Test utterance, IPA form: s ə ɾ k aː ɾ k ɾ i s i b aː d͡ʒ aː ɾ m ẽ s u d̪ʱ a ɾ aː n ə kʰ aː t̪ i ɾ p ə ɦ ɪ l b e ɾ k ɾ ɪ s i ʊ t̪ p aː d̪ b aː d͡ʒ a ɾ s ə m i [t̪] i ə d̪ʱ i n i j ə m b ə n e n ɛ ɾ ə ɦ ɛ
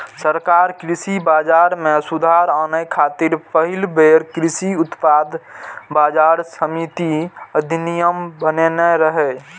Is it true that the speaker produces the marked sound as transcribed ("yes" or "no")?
yes